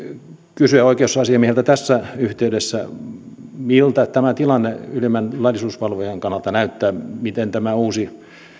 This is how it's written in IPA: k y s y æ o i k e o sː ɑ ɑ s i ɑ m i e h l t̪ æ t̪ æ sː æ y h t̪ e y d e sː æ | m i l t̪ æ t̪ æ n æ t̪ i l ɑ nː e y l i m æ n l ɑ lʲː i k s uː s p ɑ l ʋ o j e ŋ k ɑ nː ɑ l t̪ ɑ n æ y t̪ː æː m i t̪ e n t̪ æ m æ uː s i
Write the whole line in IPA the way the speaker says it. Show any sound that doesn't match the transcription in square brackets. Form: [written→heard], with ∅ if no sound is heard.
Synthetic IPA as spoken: k y s y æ o i k e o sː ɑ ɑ s i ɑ m i e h l t̪ æ t̪ æ sː æ y h t̪ e y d e sː æ | m i l t̪ æ t̪ æ [n→m] æ t̪ i l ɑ nː e y l i m æ n l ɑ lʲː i [k→∅] s uː s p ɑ l ʋ o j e ŋ k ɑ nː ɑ l t̪ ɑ n æ y t̪ː æː m i t̪ e n t̪ æ m æ uː s i